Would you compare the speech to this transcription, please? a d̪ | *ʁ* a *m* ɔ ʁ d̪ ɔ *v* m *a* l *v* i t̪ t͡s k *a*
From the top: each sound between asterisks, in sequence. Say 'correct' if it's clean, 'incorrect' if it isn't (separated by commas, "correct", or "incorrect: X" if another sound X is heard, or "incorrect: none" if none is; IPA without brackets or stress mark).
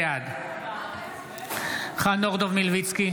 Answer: incorrect: χ, incorrect: n, correct, incorrect: i, correct, incorrect: i